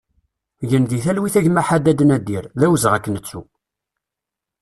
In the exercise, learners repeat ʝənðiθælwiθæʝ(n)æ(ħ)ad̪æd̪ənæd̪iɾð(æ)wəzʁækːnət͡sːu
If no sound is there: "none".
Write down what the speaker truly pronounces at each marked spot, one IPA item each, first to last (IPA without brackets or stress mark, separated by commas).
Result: m, ħ, æ